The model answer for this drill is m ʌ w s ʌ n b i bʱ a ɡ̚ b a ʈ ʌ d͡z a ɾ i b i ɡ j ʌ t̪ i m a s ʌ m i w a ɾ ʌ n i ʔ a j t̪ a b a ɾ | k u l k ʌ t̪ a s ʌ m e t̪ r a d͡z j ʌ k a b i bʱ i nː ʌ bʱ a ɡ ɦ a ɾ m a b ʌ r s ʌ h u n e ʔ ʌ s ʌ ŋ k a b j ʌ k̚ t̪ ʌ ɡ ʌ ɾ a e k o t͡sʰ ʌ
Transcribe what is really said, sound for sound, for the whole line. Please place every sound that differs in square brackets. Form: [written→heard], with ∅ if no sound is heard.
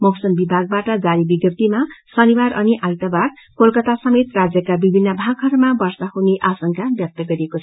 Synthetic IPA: m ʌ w s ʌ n b i bʱ a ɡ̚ b a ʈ ʌ d͡z a ɾ i b i ɡ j ʌ t̪ i m a s ʌ [m→n] i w a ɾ ʌ n i ʔ a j t̪ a b a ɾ | k [u→o] l k ʌ t̪ a s ʌ m e t̪ r a d͡z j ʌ k a b i bʱ i nː ʌ bʱ a ɡ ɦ [a→ʌ] ɾ m a b ʌ r s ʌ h u n e ʔ [ʌ→a] s ʌ ŋ k a b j ʌ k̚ t̪ ʌ ɡ ʌ ɾ [a→i] e k o t͡sʰ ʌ